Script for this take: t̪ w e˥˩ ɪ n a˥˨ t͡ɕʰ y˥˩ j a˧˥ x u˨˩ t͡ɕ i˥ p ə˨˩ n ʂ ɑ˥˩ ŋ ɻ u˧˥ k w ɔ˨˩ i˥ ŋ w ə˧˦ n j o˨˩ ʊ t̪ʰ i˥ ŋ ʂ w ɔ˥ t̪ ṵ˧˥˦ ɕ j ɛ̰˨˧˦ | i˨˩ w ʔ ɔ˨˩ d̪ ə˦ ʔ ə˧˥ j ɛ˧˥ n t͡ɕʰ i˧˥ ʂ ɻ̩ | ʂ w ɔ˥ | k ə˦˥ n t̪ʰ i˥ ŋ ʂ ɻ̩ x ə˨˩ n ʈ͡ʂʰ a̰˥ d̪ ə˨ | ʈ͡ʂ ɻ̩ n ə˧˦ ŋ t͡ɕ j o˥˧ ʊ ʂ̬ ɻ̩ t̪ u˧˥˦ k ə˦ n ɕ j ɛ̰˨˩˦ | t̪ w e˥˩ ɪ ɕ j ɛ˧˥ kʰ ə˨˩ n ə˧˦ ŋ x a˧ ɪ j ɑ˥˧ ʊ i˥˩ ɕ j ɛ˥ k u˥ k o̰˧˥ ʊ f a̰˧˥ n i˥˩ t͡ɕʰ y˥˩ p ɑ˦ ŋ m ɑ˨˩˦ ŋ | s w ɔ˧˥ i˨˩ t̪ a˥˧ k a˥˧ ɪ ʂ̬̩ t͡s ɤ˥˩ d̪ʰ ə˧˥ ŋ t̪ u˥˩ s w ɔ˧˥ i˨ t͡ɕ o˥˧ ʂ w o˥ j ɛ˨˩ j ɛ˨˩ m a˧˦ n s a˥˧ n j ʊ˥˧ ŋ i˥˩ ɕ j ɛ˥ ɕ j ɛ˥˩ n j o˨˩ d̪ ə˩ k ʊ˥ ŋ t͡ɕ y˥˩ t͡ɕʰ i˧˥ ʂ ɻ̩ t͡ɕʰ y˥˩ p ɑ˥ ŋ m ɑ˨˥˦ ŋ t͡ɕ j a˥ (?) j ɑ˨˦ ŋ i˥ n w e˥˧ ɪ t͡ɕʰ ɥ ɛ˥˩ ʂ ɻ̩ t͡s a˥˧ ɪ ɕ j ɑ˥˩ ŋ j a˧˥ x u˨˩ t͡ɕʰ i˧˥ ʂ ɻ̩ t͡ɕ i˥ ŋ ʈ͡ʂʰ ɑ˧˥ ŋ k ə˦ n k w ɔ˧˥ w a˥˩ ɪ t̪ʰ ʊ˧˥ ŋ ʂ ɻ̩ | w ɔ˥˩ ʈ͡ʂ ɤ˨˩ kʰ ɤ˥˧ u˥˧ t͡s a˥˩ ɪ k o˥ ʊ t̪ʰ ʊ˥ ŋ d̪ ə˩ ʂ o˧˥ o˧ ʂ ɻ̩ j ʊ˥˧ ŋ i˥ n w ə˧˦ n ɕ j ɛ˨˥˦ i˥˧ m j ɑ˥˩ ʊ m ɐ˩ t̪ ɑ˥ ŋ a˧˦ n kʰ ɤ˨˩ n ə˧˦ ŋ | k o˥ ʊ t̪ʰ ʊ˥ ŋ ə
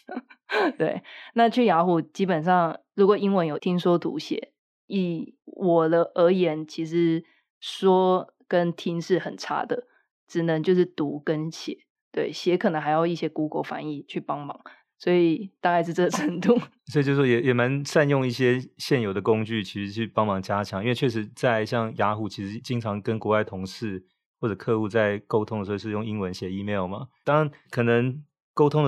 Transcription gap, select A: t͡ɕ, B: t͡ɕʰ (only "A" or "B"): B